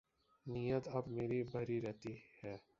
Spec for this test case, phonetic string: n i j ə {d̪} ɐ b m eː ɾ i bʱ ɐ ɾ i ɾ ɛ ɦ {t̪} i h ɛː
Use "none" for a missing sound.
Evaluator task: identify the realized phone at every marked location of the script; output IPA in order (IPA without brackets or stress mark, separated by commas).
t̪, t̪